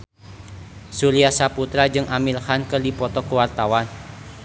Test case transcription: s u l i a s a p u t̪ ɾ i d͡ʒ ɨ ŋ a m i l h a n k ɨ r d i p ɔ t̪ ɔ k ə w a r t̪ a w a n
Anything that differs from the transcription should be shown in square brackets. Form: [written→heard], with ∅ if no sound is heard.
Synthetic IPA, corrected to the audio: s u l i a s a p u t̪ ɾ [i→a] d͡ʒ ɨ ŋ a m i l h a n k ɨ r d i p ɔ t̪ ɔ k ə w a r t̪ a w a n